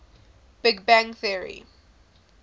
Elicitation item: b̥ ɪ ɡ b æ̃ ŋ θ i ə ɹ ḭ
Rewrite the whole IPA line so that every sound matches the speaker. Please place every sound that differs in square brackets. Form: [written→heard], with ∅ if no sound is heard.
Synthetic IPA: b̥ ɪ ɡ b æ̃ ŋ θ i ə ɹ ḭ